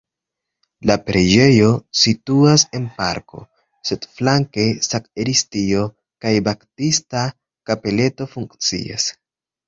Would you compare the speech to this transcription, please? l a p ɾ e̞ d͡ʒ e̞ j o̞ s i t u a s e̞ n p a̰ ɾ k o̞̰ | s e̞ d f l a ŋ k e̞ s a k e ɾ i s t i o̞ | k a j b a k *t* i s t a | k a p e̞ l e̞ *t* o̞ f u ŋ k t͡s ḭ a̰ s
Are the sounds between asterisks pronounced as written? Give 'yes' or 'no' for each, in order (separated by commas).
yes, yes